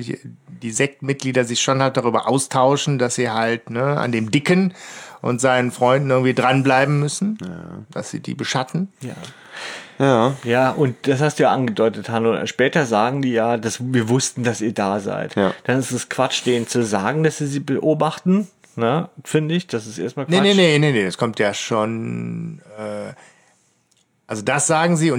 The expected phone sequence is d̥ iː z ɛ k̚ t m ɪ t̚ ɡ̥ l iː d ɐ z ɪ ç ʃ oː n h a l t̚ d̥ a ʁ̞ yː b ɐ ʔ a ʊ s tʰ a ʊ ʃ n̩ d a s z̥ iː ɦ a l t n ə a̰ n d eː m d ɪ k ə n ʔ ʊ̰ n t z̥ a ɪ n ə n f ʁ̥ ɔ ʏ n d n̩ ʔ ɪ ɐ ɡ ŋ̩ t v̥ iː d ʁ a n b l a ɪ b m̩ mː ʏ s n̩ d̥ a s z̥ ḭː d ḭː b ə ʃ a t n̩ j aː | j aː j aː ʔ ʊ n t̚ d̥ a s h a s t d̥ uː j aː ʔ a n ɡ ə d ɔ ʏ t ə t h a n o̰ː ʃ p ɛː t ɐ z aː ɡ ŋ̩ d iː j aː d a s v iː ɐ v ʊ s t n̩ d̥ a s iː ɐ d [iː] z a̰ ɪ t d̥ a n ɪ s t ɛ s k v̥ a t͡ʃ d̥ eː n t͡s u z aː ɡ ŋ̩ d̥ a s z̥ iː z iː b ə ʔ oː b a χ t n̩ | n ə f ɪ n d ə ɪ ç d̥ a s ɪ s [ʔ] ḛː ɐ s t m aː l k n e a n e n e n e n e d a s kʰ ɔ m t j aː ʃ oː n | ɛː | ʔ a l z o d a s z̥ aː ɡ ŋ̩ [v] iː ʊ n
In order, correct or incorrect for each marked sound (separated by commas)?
incorrect, correct, incorrect